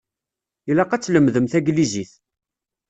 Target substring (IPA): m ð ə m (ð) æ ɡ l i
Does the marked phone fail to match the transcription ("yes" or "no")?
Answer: yes